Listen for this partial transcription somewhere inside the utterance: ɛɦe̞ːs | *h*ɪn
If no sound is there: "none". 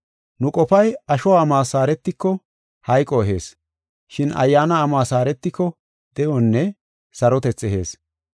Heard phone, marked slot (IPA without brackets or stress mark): ʃ